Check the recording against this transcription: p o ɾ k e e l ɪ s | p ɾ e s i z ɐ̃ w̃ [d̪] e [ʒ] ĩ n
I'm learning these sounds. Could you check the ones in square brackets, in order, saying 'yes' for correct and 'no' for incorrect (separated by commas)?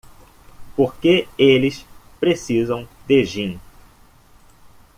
yes, yes